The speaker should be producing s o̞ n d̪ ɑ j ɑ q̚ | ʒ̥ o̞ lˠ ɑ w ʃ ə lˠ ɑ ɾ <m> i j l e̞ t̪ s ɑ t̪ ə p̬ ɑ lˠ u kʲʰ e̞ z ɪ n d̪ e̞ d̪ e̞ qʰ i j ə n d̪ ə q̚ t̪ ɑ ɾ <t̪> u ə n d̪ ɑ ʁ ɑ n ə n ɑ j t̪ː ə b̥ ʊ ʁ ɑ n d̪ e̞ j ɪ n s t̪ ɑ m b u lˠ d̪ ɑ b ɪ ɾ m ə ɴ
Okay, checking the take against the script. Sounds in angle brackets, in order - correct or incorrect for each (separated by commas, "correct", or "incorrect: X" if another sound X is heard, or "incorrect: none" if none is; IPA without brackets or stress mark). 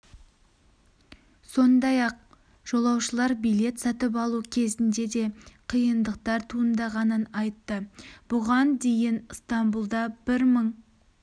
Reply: incorrect: b, incorrect: t̪ʰ